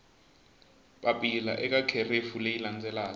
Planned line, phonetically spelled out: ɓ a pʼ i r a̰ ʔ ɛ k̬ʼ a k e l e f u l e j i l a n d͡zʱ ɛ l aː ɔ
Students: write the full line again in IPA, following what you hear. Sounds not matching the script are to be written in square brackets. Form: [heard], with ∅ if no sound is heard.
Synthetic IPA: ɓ a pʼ i [l] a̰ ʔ ɛ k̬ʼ a [kʰ] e [r] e f u l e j i l a n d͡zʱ ɛ l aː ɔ